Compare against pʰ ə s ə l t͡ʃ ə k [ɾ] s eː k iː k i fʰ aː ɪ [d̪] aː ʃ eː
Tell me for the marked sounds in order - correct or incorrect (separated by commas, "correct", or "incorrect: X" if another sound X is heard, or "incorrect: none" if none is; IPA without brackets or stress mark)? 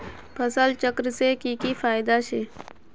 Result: correct, correct